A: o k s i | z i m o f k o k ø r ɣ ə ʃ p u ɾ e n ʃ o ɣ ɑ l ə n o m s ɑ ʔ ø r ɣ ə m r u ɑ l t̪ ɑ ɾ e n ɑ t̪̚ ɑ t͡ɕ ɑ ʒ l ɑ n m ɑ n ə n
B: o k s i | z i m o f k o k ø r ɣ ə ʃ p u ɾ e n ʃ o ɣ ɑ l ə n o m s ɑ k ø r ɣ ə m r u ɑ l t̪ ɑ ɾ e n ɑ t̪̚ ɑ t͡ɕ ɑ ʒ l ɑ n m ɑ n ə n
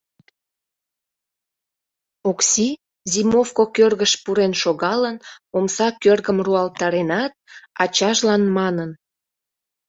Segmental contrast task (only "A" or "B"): B